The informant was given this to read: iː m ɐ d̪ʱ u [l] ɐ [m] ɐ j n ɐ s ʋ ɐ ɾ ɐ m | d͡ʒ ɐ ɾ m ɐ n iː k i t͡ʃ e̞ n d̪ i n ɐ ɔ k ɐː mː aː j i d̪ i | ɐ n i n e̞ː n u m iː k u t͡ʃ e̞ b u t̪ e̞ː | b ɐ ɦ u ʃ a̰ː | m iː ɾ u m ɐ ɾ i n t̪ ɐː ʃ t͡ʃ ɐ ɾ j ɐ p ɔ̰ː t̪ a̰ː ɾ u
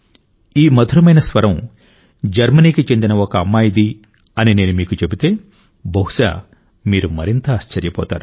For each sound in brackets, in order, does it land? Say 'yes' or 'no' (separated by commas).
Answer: no, yes